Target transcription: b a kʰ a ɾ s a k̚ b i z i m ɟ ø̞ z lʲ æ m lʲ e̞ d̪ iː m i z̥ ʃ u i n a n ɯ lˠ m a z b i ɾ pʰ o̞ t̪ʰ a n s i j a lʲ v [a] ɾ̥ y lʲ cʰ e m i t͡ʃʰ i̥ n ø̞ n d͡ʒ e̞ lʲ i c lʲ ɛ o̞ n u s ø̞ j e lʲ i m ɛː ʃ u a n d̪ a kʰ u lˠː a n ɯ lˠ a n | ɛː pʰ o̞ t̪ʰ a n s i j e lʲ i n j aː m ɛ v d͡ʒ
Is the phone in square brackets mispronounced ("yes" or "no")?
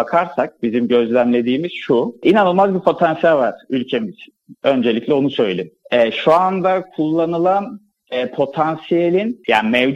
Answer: no